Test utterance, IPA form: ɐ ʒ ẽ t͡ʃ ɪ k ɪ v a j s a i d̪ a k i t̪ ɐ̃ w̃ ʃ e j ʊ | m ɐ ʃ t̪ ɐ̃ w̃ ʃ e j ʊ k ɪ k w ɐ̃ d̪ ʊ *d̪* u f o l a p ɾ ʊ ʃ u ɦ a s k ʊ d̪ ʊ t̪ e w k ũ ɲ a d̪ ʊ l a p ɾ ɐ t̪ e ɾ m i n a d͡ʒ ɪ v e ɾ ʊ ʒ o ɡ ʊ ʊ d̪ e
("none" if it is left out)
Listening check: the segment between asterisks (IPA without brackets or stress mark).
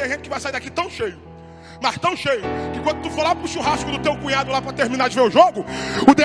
t̪